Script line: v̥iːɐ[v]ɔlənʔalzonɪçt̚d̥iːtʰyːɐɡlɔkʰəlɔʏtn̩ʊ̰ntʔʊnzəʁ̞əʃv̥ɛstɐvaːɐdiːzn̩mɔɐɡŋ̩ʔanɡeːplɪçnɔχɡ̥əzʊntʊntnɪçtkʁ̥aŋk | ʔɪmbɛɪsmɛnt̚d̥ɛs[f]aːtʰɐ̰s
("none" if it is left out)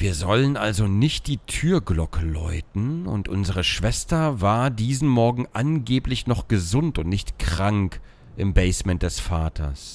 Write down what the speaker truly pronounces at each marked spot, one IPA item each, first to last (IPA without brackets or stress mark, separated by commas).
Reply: z, f